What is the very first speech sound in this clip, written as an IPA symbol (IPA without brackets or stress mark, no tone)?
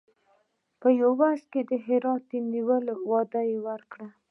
p